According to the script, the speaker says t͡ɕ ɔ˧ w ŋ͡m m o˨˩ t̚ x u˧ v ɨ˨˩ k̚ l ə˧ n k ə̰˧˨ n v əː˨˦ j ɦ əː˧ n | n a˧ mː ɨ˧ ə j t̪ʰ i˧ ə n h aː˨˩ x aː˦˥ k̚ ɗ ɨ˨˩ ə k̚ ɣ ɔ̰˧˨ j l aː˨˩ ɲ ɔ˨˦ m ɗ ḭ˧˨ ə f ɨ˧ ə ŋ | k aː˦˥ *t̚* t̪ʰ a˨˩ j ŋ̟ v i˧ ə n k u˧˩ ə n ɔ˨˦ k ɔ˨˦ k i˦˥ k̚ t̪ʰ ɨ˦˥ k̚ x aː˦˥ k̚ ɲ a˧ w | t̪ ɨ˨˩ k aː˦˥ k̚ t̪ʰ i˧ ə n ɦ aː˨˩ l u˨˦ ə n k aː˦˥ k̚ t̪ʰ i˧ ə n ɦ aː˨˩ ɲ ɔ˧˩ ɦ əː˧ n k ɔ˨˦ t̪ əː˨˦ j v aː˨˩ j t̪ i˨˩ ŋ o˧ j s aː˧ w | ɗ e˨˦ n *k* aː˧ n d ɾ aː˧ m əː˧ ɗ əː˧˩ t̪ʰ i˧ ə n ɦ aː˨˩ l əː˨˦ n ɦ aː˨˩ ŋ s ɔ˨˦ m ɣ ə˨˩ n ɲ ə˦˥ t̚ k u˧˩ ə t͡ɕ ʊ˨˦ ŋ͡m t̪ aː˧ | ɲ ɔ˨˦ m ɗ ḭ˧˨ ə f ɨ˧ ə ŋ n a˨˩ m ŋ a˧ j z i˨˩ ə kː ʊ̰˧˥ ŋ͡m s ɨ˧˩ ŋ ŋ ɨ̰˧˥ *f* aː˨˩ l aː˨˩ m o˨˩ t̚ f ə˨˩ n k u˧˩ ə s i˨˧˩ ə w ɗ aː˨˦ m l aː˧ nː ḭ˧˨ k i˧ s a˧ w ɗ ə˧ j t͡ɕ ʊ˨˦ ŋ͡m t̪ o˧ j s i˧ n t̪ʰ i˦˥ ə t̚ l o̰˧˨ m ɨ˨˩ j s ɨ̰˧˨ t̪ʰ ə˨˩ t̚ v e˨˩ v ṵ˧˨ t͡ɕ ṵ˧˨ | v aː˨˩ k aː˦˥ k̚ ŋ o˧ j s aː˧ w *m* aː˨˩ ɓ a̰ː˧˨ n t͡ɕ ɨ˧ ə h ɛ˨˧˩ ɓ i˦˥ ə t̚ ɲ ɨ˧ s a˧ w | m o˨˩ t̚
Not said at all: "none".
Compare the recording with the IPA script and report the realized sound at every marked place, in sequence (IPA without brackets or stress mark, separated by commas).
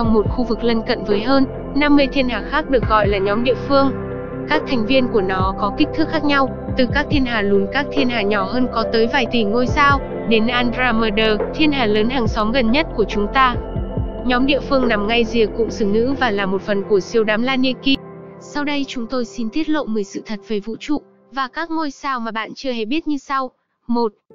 k̚, ʔ, v, m